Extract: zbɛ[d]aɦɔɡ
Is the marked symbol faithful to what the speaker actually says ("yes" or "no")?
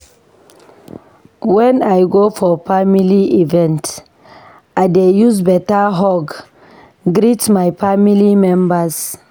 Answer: no